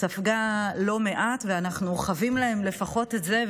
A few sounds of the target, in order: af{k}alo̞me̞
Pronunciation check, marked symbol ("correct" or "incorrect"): incorrect